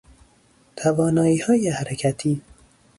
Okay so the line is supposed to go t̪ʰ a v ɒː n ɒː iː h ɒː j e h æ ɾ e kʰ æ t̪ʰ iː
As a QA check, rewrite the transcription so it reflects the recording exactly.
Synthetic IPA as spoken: t̪ʰ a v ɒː n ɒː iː h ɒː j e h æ ɾ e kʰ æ t̪ʰ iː